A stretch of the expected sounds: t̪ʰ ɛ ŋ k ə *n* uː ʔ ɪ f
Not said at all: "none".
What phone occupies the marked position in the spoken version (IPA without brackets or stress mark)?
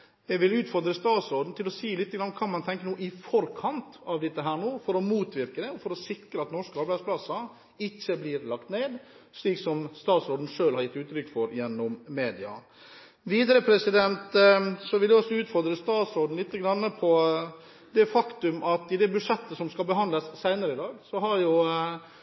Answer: n